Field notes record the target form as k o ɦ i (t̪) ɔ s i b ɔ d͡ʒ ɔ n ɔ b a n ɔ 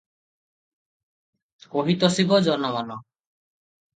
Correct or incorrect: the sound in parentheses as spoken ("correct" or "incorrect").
correct